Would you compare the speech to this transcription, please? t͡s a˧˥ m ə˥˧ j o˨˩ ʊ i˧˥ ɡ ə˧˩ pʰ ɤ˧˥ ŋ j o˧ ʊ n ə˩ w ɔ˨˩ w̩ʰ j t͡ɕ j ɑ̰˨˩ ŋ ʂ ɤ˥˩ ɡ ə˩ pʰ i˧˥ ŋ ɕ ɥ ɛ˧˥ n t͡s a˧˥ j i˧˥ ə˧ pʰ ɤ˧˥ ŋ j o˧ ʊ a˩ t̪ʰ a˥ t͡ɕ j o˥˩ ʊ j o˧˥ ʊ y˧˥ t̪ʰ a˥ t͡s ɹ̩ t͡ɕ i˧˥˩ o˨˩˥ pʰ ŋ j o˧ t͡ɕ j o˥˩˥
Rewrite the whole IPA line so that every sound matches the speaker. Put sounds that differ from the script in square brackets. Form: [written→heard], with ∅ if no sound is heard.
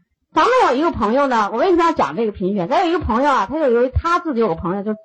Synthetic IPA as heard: t͡s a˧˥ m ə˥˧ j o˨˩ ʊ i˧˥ ɡ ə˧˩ pʰ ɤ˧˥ ŋ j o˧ ʊ n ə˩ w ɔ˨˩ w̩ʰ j t͡ɕ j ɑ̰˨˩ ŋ [ʂ→ʈ͡ʂ] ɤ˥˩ ɡ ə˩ pʰ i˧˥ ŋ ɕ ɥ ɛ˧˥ n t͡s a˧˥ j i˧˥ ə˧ pʰ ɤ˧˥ ŋ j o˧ ʊ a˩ t̪ʰ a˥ t͡ɕ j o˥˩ ʊ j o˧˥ ʊ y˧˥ t̪ʰ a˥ t͡s ɹ̩ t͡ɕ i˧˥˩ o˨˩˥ pʰ ŋ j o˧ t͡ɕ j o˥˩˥